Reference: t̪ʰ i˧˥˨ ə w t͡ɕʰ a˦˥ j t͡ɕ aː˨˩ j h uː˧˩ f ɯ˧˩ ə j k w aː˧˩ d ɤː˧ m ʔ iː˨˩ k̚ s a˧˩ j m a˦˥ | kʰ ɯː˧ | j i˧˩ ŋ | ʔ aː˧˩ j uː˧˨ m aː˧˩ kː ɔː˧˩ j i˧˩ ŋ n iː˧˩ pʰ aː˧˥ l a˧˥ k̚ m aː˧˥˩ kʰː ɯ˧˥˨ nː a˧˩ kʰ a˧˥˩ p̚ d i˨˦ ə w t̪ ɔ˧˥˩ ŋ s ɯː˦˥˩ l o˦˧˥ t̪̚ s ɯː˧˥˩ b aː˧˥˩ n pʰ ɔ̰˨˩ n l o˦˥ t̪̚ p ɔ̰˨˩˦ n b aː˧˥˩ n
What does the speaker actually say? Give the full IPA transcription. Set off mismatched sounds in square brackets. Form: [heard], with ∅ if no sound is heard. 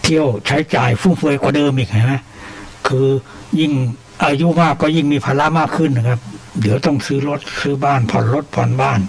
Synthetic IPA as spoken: t̪ʰ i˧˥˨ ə w t͡ɕʰ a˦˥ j t͡ɕ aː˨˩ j [f] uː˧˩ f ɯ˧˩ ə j k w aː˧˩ d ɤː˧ m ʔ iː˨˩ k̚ [h] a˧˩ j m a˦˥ | kʰ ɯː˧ | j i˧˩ ŋ | ʔ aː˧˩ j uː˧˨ m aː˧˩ kː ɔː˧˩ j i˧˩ ŋ [m] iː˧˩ pʰ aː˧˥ l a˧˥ [∅] m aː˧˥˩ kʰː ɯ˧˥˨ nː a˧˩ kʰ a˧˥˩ p̚ d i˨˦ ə w t̪ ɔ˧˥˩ ŋ s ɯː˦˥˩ l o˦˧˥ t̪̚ s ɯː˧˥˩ b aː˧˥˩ n pʰ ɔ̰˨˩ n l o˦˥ t̪̚ [pʰ] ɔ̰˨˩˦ n b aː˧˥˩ n

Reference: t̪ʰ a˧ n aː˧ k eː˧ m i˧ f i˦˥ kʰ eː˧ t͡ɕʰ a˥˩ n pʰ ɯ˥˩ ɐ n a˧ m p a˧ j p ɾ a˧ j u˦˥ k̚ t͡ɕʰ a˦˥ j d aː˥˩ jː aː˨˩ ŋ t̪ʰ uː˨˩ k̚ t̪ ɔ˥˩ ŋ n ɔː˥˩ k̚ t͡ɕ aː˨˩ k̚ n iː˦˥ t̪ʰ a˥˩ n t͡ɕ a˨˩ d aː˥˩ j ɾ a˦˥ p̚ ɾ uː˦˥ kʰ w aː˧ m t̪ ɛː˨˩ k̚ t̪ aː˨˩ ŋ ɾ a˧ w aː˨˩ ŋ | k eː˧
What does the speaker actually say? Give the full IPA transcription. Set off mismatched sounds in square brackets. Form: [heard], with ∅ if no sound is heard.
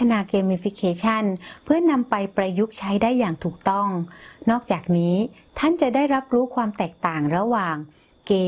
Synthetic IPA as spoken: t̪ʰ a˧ n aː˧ k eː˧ m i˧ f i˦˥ kʰ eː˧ t͡ɕʰ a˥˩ n pʰ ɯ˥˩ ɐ n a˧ m p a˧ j p ɾ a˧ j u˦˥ k̚ t͡ɕʰ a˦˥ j d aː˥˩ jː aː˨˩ ŋ t̪ʰ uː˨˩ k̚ t̪ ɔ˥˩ ŋ n ɔː˥˩ k̚ t͡ɕ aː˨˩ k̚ n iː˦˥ t̪ʰ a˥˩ n t͡ɕ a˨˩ d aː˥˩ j ɾ a˦˥ p̚ ɾ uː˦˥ kʰ w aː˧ m t̪ ɛː˨˩ k̚ t̪ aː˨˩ ŋ ɾ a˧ w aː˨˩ ŋ | k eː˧

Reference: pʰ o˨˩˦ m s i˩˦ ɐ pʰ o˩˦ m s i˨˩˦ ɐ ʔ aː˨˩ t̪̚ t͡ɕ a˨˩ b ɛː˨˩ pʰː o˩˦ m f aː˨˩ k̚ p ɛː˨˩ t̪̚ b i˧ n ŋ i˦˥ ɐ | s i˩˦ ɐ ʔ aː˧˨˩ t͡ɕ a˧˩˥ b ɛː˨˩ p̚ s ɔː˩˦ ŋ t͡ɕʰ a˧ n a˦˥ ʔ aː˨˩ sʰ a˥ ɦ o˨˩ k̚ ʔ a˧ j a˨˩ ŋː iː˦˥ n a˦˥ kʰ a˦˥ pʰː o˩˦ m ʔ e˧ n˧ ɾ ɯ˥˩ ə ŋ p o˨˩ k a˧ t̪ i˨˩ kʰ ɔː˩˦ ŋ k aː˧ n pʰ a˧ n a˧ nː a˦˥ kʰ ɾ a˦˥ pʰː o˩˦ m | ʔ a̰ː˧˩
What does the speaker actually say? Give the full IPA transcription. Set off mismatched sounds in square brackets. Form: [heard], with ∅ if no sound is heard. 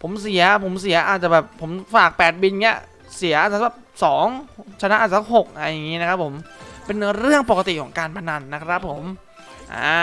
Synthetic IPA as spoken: pʰ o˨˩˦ m s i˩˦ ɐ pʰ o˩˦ m s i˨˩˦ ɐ ʔ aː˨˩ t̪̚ t͡ɕ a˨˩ b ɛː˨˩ pʰː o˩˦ m f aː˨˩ k̚ p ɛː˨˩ t̪̚ b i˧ n ŋ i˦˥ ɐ | s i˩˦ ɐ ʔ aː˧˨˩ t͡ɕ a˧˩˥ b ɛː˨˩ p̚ s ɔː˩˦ ŋ t͡ɕʰ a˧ n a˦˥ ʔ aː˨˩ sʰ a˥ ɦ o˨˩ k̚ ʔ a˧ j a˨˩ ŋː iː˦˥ n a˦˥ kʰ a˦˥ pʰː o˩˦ m [p] e˧ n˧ ɾ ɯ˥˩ ə ŋ p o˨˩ k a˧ t̪ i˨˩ kʰ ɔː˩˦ ŋ k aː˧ n pʰ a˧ n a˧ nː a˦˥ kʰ ɾ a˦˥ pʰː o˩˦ m | ʔ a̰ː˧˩

